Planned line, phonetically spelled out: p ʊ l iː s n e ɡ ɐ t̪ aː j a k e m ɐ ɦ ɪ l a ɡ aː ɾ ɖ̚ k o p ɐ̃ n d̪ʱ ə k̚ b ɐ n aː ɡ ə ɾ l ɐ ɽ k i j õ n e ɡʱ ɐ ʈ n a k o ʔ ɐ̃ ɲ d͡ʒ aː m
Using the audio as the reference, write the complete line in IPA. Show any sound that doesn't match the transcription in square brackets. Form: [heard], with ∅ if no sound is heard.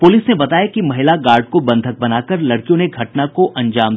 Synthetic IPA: p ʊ l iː s n e [b] ɐ t̪ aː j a k [i] m ɐ ɦ ɪ l a ɡ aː ɾ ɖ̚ k o [b] ɐ̃ n d̪ʱ ə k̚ b ɐ n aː [k] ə ɾ l ɐ ɽ k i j õ n e ɡʱ ɐ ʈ n a k o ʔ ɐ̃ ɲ d͡ʒ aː m